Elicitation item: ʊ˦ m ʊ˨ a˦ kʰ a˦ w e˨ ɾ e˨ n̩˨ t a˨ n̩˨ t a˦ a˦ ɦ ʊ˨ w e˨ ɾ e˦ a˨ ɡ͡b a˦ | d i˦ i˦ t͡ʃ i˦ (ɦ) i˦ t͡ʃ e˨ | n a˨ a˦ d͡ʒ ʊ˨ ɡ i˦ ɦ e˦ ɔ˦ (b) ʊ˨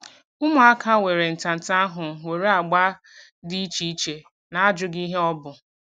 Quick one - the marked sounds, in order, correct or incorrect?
incorrect: none, correct

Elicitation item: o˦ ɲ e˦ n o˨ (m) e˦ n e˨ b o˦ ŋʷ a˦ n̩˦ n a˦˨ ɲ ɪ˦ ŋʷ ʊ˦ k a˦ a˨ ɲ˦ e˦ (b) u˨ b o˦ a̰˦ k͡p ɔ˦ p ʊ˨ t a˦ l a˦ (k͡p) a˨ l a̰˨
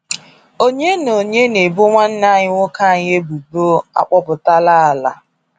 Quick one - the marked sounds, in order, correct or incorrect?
incorrect: ɲ, correct, incorrect: none

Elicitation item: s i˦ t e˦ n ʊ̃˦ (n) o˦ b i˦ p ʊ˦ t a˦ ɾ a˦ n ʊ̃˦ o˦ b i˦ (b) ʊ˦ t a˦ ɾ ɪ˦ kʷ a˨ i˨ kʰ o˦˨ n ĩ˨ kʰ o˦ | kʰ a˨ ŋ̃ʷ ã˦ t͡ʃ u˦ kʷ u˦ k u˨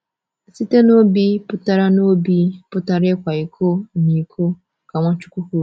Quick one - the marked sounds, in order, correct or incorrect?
incorrect: none, incorrect: p

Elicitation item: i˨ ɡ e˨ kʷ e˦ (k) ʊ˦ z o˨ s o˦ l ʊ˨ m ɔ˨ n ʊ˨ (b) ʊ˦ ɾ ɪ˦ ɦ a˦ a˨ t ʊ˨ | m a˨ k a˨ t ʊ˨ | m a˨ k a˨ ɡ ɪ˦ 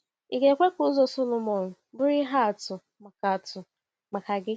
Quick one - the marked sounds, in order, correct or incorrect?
correct, correct

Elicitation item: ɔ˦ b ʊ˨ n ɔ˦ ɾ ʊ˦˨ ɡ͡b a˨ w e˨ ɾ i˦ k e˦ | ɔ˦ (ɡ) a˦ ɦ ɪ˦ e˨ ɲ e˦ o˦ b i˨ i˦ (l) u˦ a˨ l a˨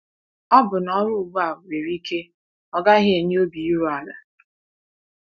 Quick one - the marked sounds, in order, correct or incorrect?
correct, incorrect: ɾ

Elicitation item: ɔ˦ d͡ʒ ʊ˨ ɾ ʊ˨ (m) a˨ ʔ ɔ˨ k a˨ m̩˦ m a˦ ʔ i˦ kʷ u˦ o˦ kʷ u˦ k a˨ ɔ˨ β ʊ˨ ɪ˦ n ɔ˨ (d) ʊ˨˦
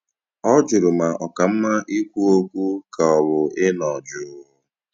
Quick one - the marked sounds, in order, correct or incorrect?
correct, incorrect: d͡ʒ

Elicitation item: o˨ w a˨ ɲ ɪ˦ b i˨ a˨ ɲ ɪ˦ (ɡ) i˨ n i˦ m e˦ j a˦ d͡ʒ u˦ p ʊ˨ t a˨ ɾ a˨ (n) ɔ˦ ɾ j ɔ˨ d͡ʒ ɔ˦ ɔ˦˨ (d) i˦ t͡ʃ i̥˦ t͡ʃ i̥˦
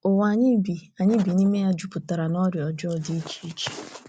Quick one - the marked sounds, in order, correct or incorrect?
incorrect: b, correct, correct

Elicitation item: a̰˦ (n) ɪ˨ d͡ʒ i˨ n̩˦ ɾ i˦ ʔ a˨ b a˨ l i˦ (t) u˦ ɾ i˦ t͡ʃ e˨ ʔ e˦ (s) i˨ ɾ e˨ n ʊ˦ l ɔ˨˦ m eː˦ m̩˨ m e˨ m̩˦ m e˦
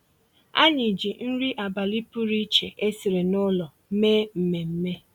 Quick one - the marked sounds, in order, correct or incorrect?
incorrect: ɲ, incorrect: p, correct

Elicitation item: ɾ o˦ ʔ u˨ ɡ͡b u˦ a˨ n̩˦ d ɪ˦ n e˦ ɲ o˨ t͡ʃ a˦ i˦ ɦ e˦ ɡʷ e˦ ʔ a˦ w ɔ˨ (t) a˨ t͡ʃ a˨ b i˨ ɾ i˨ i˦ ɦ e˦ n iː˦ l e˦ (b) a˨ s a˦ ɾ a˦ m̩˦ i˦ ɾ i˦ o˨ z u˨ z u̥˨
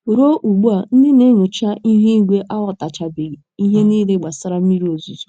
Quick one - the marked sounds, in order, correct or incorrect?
correct, incorrect: ɡ͡b

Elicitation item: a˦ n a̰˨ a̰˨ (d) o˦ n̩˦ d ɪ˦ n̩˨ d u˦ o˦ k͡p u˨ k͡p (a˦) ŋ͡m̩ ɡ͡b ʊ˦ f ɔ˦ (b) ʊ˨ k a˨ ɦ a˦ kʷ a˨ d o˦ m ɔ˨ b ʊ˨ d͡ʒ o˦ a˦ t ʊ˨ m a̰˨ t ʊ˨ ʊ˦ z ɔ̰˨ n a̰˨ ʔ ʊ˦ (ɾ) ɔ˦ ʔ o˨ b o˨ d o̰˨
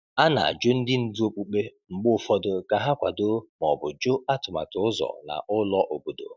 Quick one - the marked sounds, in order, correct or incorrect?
incorrect: d͡ʒ, incorrect: e˦, incorrect: d, incorrect: l

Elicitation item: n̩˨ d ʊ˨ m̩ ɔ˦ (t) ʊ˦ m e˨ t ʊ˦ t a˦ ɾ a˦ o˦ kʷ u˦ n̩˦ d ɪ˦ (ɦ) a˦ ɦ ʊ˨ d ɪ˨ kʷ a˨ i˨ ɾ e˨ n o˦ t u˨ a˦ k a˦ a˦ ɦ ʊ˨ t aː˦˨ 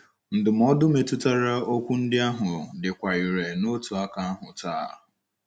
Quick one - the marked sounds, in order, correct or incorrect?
incorrect: d, incorrect: none

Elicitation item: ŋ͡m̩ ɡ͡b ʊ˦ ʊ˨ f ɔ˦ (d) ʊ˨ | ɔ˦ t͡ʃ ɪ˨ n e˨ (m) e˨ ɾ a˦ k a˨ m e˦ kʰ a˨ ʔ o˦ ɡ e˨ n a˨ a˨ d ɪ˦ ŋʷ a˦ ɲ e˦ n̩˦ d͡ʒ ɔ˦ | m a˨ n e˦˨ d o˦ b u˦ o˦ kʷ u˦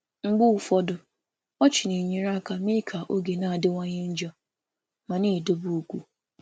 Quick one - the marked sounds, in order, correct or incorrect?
correct, incorrect: ɲ

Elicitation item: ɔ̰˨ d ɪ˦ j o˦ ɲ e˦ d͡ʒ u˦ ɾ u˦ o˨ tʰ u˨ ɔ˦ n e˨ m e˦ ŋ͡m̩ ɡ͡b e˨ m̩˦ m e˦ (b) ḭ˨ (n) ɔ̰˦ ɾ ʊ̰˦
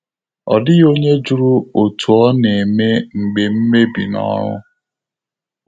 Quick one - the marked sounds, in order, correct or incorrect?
correct, correct

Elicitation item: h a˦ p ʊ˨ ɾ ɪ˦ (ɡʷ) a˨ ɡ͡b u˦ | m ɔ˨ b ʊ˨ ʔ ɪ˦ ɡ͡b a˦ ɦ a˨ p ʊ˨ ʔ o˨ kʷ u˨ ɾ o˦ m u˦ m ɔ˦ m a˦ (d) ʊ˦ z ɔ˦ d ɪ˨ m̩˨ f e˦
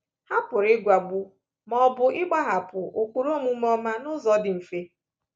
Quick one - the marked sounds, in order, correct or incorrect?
correct, incorrect: n

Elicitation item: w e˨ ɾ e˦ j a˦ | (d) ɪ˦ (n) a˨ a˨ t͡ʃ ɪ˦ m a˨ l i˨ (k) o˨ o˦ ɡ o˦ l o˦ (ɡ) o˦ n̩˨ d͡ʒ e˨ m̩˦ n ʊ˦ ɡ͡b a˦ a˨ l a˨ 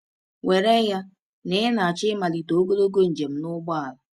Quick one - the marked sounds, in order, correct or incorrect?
incorrect: n, correct, incorrect: t, correct

